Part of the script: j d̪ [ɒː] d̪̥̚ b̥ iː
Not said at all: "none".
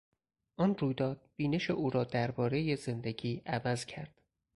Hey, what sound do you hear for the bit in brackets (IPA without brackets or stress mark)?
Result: ɒː